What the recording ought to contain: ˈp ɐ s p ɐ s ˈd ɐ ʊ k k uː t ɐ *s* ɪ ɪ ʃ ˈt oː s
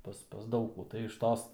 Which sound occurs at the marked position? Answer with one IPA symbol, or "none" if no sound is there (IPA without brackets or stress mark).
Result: none